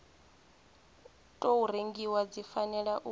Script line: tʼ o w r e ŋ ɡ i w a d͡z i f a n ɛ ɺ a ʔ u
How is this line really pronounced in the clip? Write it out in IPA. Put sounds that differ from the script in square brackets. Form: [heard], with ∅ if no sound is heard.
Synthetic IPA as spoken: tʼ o [u] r e ŋ ɡ i w a d͡z i f a n ɛ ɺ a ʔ u